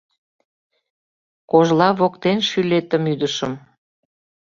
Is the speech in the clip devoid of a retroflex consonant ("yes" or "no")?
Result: yes